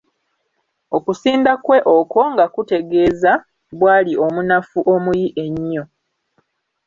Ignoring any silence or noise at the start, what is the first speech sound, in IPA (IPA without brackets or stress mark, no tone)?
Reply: o